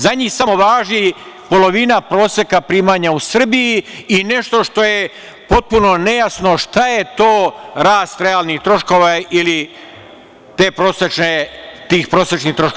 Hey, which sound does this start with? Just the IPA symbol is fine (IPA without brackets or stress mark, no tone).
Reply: z